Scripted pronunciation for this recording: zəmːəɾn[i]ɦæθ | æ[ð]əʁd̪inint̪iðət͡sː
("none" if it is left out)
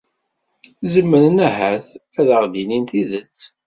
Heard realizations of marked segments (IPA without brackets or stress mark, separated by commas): æ, ð